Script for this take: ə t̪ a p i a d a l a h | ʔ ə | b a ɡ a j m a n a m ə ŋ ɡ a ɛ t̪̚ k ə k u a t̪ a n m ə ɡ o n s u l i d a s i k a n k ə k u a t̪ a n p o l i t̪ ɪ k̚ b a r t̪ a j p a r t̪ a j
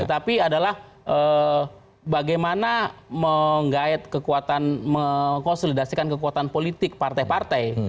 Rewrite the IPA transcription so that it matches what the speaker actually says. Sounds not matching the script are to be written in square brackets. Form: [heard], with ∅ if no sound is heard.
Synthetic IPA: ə t̪ a p i a d a l a h | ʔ ə | b a ɡ a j m a n a m ə ŋ ɡ a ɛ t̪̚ k ə k u a t̪ a n m ə [k] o n s [o] l i d a s i k a n k ə k u a t̪ a n p o l i t̪ ɪ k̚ [p] a r t̪ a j p a r t̪ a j